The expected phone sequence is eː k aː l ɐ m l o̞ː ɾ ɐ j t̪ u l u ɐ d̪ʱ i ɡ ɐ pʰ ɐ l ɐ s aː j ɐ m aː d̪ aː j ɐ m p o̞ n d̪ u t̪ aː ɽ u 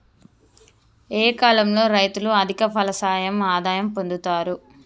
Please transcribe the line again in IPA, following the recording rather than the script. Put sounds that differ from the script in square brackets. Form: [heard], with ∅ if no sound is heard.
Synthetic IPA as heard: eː k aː l ɐ m l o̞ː ɾ ɐ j t̪ u l u ɐ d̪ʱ i [k] ɐ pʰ ɐ l ɐ s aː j ɐ m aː d̪ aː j ɐ m p o̞ n d̪ u t̪ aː [ɾ] u